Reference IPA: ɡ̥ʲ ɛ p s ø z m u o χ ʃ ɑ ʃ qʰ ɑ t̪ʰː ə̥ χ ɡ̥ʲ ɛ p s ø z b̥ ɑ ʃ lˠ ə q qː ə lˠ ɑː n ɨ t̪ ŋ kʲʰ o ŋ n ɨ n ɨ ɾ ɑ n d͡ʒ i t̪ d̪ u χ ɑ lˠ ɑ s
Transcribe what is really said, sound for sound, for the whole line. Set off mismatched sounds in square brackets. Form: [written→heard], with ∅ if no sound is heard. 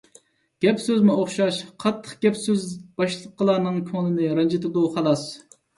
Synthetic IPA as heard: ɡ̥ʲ ɛ p s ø z m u o χ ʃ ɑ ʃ qʰ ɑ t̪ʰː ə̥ χ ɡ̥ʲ ɛ p s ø z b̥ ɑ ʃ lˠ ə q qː ə lˠ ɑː n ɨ [t̪→∅] ŋ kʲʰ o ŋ n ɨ n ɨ ɾ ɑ n d͡ʒ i t̪ d̪ u χ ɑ lˠ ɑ s